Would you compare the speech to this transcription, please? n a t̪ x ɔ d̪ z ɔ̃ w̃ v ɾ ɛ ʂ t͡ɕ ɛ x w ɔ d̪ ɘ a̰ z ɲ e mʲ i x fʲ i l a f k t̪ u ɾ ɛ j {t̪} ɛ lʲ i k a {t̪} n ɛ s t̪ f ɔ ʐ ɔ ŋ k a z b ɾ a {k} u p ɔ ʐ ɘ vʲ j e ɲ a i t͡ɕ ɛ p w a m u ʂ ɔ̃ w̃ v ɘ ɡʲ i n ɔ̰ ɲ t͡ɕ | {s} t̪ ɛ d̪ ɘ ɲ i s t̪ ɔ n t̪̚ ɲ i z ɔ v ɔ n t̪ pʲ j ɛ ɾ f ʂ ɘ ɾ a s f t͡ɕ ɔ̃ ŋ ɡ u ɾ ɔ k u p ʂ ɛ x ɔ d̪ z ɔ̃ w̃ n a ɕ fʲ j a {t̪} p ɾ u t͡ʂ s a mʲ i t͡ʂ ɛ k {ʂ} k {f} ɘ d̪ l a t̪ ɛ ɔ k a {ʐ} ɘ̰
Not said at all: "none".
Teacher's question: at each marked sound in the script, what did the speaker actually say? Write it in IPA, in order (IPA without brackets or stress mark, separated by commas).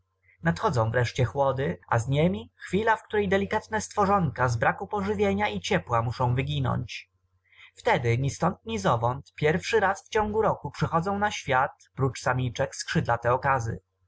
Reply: d̪, t̪, k, f, t̪, s, ʂ, z